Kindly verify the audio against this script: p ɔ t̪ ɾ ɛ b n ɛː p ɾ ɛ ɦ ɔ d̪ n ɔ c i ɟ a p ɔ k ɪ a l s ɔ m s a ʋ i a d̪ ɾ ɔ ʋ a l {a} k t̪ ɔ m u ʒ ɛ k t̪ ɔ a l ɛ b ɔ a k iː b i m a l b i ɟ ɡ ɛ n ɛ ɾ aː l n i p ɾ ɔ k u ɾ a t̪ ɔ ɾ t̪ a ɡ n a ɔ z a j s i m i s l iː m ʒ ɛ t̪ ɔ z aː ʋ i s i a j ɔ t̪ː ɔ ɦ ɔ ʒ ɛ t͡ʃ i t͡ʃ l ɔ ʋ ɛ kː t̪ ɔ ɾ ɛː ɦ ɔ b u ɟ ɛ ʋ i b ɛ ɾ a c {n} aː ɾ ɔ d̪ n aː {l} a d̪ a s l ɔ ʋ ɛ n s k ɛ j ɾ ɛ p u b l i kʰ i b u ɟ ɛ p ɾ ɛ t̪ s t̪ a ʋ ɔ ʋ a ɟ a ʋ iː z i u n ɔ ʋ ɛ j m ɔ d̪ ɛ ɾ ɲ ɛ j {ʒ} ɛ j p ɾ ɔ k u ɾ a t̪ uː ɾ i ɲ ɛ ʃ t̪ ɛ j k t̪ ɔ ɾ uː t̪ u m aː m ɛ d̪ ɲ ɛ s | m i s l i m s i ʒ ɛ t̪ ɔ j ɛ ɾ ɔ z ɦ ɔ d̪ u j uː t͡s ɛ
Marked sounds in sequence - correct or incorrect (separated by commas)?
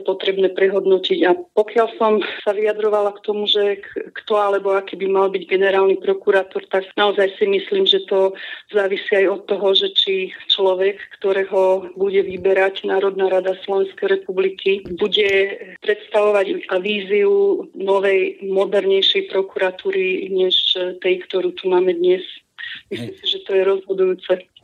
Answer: correct, correct, incorrect, incorrect